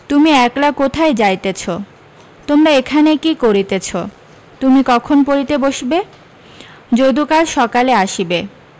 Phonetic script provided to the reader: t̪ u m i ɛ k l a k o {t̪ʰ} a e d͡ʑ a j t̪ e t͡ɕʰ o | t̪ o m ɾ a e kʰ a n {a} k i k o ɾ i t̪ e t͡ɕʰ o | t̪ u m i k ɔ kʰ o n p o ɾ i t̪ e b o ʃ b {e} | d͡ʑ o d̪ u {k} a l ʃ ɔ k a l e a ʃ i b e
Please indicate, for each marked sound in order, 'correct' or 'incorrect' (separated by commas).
correct, incorrect, correct, correct